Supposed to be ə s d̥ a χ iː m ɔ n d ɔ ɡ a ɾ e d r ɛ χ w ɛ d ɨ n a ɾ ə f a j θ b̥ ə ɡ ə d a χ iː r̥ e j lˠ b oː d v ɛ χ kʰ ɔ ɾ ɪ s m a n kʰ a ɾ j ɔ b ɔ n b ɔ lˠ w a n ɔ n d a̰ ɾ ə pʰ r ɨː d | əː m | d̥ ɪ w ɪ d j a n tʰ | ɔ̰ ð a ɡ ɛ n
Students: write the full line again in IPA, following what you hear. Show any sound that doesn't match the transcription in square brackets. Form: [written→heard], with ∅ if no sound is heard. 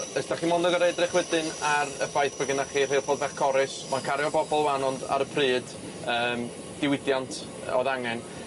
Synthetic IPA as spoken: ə s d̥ a χ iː m ɔ n d ɔ ɡ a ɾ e d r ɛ χ w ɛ d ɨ n a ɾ ə f a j θ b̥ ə ɡ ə [d→n] a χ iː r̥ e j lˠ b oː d v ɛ χ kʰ ɔ ɾ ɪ s m a n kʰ a ɾ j ɔ b ɔ [n→∅] b ɔ lˠ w a n ɔ n d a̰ ɾ ə pʰ r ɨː d | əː m | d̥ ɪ w ɪ d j a n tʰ | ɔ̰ ð a [ɡ→ŋ] ɛ n